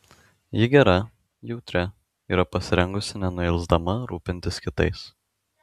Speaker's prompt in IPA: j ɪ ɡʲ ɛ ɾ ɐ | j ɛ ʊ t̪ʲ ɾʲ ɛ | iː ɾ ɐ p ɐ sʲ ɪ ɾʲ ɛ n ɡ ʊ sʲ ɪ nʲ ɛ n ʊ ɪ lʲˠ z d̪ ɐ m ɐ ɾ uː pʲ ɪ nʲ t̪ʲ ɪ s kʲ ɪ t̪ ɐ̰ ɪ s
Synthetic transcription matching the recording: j ɪ ɡʲ ɛ ɾ ɐ | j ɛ ʊ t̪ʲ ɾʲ ɛ | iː ɾ ɐ p ɐ sʲ ɪ ɾʲ ɛ ŋ ɡ ʊ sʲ ɪ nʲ ɛ n ʊ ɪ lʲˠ z d̪ ɐ m ɐ ɾ uː pʲ ɪ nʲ t̪ʲ ɪ s kʲ ɪ t̪ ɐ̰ ɪ s